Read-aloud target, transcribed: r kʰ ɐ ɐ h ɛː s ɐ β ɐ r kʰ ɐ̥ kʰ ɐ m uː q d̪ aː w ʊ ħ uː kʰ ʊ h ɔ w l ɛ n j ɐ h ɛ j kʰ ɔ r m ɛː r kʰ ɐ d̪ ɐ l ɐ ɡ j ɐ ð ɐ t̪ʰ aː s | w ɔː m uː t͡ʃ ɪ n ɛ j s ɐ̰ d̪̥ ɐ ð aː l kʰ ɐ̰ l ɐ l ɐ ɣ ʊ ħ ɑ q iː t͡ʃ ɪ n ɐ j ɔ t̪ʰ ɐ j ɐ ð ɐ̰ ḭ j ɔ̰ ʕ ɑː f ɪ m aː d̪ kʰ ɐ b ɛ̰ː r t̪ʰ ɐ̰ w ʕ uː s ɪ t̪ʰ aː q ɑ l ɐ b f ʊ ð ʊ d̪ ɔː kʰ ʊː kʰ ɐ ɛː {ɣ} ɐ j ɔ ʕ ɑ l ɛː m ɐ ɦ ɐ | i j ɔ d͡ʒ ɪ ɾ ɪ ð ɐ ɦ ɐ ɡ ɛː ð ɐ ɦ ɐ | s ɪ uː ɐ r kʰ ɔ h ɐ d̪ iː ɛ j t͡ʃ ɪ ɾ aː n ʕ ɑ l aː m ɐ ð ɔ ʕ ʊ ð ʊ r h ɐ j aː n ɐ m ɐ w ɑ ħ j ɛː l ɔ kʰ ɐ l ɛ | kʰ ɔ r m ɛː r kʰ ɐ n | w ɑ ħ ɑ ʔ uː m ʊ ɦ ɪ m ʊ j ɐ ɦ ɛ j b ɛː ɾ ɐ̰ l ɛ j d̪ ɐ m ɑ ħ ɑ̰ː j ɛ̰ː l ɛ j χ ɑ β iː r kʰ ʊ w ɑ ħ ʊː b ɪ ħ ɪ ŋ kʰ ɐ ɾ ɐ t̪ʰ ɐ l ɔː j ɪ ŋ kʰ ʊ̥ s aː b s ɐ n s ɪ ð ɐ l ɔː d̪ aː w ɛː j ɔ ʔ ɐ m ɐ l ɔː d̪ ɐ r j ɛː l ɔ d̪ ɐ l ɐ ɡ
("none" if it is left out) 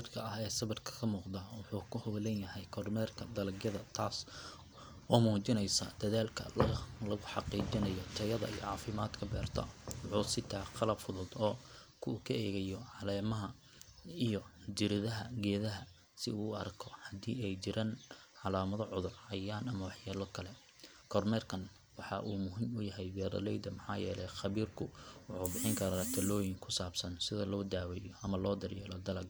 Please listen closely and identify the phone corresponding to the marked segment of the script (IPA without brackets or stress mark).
ɣ